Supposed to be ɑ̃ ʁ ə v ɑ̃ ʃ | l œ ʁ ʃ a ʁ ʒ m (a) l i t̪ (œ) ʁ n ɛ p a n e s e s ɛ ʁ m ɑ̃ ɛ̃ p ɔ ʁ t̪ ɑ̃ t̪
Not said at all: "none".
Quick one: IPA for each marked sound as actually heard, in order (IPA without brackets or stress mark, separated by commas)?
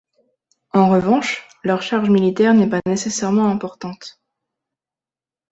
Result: i, ɛ